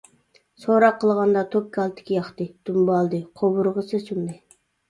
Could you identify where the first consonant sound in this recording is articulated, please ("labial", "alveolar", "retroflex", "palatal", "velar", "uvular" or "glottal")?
alveolar